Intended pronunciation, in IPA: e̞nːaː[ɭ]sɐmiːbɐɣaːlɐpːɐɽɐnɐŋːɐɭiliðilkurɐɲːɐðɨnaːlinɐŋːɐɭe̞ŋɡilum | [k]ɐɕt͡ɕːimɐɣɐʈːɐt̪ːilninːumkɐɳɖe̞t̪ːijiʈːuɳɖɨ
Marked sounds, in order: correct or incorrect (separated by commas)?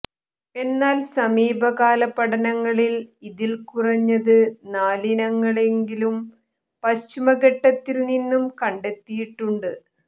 incorrect, incorrect